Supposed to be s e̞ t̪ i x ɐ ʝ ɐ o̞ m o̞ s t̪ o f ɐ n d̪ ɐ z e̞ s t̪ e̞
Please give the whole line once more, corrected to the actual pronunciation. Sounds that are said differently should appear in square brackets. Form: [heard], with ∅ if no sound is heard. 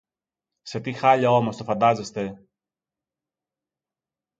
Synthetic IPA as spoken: s e̞ t̪ i x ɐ [ʎ] ɐ o̞ m o̞ s t̪ o f ɐ n d̪ ɐ z e̞ s t̪ e̞